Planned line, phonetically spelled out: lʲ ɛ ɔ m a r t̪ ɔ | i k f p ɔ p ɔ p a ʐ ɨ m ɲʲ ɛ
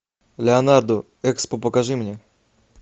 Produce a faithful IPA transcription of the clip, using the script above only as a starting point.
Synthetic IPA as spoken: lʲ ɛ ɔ n a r d̪ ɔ | ɛ k s p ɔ p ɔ k a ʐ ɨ m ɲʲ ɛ